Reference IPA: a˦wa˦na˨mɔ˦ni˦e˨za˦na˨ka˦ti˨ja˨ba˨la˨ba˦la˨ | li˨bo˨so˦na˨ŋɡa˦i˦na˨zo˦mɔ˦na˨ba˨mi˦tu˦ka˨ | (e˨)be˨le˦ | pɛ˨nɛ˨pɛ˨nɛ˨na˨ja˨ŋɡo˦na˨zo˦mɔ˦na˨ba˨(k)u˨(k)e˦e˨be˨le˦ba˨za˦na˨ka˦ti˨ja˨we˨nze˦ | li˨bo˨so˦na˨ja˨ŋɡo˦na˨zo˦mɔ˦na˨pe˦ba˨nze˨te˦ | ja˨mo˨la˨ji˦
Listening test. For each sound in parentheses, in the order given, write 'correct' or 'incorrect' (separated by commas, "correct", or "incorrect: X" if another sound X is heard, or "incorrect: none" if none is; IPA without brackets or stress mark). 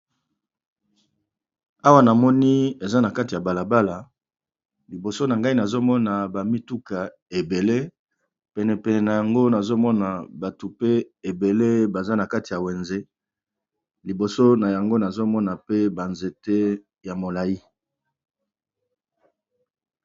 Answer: correct, incorrect: t, incorrect: p